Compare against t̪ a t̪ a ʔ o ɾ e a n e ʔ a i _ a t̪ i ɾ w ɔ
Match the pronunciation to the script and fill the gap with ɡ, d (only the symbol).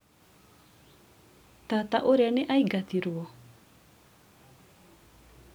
ɡ